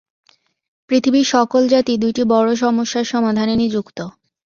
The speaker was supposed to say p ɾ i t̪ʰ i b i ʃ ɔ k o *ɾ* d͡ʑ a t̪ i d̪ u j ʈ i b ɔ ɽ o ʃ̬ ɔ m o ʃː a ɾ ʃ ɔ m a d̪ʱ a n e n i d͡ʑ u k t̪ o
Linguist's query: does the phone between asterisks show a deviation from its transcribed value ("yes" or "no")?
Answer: yes